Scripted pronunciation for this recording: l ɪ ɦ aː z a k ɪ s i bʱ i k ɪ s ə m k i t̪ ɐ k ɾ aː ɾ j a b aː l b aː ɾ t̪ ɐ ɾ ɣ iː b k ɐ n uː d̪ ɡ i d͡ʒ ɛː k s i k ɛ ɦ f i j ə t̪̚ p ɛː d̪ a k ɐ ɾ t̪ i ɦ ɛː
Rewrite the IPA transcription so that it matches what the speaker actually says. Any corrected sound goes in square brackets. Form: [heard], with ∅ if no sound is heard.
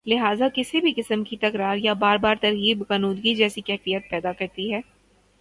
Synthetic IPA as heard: l ɪ ɦ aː z a k ɪ s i bʱ i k ɪ s ə m k i t̪ ɐ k ɾ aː ɾ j a b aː [ɾ] b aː ɾ t̪ ɐ ɾ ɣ iː b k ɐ n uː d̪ ɡ i d͡ʒ ɛː [∅] s i k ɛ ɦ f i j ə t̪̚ p ɛː d̪ a k ɐ ɾ t̪ i ɦ ɛː